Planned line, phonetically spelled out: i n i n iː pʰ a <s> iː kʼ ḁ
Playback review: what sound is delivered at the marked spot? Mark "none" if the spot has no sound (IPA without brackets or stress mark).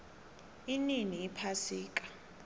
s